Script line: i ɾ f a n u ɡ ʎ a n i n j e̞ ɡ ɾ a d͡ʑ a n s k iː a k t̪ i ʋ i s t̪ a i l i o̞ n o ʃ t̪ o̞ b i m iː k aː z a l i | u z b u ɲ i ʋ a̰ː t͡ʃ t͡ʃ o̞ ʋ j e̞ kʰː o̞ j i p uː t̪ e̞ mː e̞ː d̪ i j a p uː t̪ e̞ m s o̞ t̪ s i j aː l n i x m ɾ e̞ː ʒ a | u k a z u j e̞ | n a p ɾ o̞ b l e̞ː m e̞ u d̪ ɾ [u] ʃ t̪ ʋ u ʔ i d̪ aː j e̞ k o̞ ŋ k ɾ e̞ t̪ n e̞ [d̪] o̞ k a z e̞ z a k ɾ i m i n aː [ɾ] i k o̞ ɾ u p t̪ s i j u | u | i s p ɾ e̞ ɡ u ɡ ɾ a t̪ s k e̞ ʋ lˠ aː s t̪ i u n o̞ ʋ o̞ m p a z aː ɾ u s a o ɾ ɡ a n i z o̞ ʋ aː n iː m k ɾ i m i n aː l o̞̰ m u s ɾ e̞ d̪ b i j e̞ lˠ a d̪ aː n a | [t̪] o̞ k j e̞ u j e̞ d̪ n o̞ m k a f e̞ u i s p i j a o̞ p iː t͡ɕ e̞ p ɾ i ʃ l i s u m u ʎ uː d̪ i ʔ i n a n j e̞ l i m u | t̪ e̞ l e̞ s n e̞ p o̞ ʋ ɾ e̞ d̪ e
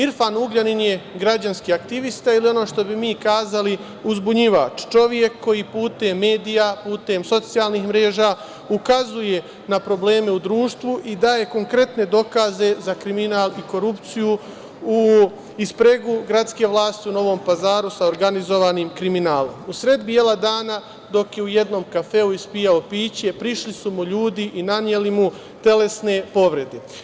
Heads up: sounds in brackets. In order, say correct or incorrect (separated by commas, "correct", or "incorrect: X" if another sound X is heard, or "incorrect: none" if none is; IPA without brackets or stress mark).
incorrect: uː, correct, incorrect: l, incorrect: d̪